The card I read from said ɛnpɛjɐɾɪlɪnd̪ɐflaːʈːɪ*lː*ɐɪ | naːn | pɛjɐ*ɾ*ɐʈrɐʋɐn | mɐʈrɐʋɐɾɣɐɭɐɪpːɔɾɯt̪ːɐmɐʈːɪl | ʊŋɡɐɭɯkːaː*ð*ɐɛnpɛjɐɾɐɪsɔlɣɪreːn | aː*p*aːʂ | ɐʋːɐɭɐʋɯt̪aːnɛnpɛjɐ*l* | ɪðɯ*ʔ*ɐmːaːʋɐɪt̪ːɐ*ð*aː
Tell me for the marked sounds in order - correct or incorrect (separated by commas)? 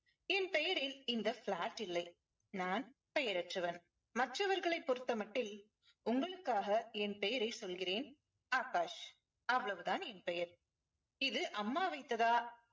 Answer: correct, correct, incorrect, incorrect, incorrect, correct, correct